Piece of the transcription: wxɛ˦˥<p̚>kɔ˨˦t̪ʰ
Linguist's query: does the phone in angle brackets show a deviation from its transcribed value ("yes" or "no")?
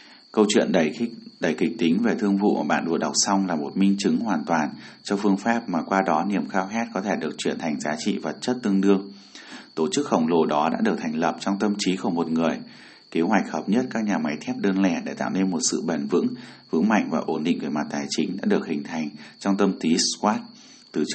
yes